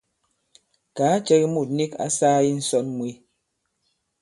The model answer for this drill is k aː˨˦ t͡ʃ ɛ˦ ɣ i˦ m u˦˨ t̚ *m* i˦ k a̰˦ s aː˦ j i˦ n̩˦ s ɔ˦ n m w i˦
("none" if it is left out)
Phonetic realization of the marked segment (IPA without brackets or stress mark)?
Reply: n